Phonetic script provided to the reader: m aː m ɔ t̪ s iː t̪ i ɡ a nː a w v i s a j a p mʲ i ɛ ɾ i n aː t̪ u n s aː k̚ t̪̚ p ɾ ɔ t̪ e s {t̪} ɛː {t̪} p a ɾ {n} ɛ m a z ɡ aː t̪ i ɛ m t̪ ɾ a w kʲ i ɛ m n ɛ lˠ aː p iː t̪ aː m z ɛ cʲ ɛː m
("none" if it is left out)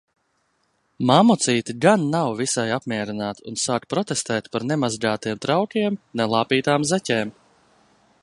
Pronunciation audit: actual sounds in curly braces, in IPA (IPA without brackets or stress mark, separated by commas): t̪, t̪, n